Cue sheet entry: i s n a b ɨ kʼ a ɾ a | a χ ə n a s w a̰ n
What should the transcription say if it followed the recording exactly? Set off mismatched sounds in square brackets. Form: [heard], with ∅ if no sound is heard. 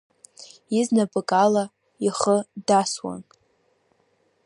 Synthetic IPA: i [z] n a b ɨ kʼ a [l] a | [i] χ ə [d] a s w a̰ n